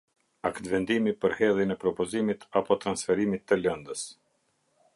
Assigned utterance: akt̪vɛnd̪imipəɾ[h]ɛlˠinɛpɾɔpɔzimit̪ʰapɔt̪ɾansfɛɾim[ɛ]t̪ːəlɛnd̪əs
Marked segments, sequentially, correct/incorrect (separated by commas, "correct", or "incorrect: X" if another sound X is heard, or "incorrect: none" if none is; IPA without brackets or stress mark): correct, incorrect: i